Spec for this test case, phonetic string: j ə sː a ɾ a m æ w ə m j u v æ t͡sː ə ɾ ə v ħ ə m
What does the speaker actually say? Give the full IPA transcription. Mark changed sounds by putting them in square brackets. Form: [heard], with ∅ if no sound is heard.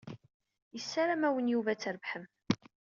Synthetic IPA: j ə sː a ɾ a m æ w ə [n] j u v æ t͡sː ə ɾ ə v ħ ə m